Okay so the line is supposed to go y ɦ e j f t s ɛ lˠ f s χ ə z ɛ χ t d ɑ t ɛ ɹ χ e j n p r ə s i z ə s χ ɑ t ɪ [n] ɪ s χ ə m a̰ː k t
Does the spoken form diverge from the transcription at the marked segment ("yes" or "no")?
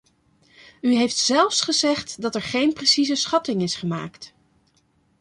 yes